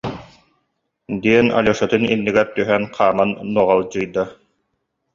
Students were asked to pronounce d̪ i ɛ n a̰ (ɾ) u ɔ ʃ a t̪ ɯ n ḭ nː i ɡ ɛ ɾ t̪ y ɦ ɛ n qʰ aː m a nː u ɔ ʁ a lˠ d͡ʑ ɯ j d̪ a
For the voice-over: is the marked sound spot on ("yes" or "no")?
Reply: no